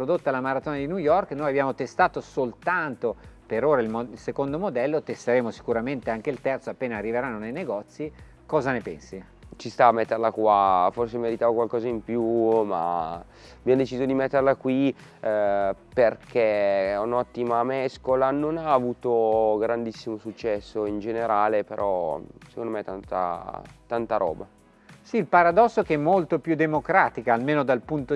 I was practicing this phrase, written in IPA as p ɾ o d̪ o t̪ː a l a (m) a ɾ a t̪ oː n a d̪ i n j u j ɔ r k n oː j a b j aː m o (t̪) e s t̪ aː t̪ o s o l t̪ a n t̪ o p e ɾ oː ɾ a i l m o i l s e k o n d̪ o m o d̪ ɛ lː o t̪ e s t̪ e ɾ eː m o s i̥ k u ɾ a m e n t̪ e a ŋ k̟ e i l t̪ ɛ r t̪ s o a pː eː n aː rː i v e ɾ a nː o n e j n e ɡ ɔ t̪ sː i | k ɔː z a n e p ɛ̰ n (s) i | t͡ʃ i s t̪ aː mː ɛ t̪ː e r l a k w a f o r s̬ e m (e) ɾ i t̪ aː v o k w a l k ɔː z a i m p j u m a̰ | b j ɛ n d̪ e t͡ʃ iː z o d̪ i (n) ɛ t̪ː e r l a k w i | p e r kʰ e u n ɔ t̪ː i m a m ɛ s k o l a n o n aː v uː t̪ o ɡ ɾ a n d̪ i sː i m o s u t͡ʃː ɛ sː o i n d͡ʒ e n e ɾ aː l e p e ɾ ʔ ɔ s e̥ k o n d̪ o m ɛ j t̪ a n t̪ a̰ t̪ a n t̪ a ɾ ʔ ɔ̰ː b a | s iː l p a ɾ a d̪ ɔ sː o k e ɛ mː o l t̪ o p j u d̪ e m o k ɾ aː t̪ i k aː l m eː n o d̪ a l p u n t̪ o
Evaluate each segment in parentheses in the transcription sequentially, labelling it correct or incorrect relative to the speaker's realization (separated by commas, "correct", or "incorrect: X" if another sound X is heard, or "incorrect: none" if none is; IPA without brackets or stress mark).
correct, correct, correct, correct, incorrect: m